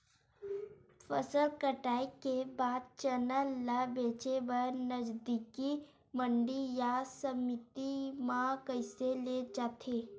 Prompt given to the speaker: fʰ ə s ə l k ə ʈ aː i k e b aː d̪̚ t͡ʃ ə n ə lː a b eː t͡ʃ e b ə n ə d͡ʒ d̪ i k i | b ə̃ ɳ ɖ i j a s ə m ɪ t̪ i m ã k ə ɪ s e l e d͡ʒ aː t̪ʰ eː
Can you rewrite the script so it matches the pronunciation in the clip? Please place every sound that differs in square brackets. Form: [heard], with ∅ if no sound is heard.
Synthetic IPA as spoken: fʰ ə s ə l k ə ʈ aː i k e b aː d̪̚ t͡ʃ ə n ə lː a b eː t͡ʃ e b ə n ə d͡ʒ d̪ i k i | [m] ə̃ ɳ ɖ i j a s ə m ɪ t̪ i m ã k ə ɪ s e l e d͡ʒ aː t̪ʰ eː